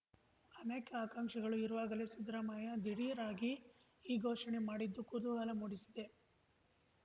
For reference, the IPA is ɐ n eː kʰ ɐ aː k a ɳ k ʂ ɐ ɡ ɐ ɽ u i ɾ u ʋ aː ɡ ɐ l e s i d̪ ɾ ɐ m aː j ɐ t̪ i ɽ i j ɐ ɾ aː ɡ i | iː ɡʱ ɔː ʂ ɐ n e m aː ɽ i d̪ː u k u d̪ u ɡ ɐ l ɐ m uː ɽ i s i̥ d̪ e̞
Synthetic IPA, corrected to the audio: ɐ n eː k ɐ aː k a ŋ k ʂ ɐ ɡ ɐ ɭ u i ɾ u ʋ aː ɡ ɐ l e s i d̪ ɾ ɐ m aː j ɐ d̪ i ɽ i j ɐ ɾ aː ɡ i | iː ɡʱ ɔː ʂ ɐ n e m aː ɽ i d̪ː u k u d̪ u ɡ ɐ l ɐ m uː ɽ i s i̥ d̪ e̞